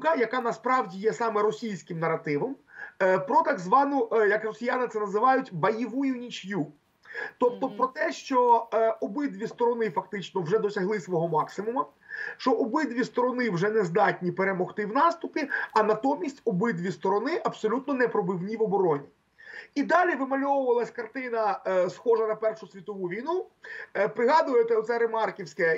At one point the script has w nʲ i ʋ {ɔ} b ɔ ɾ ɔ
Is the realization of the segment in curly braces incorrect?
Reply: no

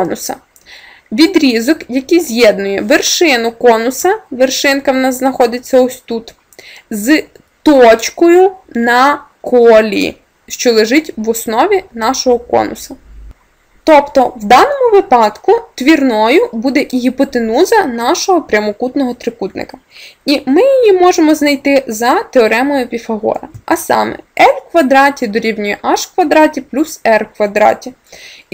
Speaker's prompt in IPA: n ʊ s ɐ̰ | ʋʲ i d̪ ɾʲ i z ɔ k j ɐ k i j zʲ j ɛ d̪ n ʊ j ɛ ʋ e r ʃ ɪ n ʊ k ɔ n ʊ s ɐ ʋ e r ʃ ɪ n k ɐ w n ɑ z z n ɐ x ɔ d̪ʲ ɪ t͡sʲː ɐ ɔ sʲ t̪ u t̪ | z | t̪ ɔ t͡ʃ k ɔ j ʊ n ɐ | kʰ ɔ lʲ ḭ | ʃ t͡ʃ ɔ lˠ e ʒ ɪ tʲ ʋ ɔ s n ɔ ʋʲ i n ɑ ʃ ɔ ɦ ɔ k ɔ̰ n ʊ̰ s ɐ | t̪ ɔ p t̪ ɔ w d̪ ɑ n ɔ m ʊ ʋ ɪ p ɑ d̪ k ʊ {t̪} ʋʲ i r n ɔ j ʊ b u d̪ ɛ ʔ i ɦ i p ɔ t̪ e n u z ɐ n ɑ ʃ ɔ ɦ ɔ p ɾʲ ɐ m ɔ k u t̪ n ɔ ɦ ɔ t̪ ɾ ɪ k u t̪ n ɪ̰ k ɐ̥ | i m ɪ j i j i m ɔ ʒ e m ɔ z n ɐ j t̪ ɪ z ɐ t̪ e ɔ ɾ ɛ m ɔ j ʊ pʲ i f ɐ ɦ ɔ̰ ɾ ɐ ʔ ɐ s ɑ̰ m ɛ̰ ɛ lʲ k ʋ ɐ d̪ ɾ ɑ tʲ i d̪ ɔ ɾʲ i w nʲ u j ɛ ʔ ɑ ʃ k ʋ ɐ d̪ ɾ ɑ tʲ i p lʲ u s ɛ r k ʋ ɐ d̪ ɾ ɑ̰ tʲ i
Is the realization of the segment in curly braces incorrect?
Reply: no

